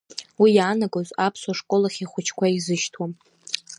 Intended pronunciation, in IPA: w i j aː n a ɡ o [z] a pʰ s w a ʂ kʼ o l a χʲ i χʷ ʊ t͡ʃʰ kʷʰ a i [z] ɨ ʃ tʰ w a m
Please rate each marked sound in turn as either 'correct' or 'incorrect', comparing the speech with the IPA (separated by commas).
correct, correct